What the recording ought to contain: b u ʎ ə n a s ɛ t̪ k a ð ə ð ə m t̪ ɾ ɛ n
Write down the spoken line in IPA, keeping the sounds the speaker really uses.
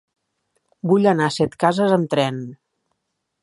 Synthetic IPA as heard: b u ʎ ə n a s ɛ t̪ k a z ə z ə m t̪ ɾ ɛ n

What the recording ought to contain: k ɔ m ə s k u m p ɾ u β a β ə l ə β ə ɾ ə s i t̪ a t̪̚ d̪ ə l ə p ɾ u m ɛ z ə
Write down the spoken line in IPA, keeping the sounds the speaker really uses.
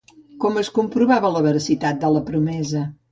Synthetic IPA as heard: k ɔ m ə s k u m p ɾ u β a β ə l ə β ə ɾ ə s i t̪ a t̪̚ d̪ ə l ə p ɾ u m ɛ z ə

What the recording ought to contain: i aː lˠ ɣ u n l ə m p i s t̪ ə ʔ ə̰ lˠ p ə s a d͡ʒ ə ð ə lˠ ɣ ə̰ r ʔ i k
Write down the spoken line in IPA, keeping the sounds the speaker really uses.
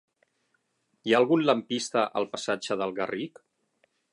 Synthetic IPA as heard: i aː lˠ ɣ u n l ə m p i s t̪ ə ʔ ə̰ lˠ p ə s a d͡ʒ ə ð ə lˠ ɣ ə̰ r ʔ i k

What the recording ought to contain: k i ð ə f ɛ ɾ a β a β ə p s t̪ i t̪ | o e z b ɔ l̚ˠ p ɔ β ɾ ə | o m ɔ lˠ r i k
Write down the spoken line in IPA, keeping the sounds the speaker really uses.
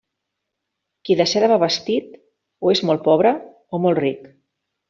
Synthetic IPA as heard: k i ð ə s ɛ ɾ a β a β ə s t̪ i t̪ | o e z m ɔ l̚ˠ p ɔ β ɾ ə | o m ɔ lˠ r i k

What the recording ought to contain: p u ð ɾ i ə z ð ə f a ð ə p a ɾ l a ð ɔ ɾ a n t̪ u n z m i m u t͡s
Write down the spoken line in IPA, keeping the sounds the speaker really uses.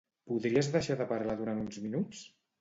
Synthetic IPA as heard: p u ð ɾ i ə z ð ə ʃ a ð ə p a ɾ l a ð u ɾ a n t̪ u n z m i n u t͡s

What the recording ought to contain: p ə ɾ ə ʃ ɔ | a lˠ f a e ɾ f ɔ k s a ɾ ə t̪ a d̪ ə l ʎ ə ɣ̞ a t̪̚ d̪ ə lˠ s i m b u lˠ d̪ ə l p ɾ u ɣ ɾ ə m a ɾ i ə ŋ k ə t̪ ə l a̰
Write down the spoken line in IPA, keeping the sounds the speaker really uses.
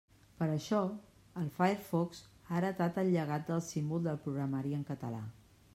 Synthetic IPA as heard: p ə ɾ ə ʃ ɔ | ə lˠ f a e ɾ f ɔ k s a ɾ ə t̪ a t̪ ə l ʎ ə ɣ̞ a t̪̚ d̪ ə lˠ s i m b u lˠ d̪ ə l p ɾ u ɣ ɾ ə m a ɾ i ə ŋ k ə t̪ ə l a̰

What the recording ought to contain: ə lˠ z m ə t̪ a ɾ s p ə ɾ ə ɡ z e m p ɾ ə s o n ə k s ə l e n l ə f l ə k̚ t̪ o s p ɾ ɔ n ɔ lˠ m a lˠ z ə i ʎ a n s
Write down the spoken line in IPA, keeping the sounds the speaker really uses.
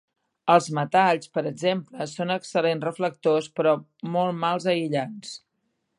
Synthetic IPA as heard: ə lˠ z m ə t̪ a ʎ s p ə ɾ ə ɡ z e m p l ə s o n ə k s ə l e n r ə f l ə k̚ t̪ o s p ɾ ɔ m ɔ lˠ m a lˠ z ə i ʎ a n s

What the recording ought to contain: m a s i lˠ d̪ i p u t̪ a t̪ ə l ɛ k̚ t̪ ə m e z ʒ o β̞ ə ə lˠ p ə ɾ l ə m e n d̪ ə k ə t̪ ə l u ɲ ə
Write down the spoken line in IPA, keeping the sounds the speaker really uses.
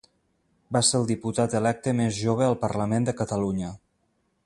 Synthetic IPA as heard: b a s e lˠ d̪ i p u t̪ a t̪ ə l ɛ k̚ t̪ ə m e z ʒ o β̞ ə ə lˠ p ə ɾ l ə m e n d̪ ə k ə t̪ ə l u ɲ ə

